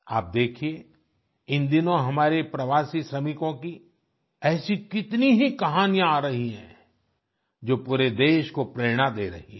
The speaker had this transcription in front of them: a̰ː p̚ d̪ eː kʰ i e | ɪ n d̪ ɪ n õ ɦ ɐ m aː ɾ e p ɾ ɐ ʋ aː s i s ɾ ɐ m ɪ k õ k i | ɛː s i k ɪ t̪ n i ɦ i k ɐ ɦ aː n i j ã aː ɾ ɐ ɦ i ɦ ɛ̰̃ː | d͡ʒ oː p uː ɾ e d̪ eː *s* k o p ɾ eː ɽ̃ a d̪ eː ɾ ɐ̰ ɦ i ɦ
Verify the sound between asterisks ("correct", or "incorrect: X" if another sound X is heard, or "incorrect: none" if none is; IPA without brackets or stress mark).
incorrect: ʃ